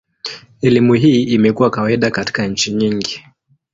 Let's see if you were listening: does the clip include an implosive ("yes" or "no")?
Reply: yes